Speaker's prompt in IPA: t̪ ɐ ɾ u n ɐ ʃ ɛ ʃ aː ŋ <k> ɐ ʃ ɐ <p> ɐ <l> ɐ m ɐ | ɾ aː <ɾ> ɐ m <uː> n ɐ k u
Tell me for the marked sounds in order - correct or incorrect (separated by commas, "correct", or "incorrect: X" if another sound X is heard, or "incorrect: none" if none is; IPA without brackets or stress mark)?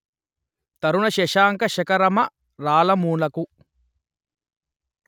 correct, incorrect: k, incorrect: ɾ, incorrect: l, correct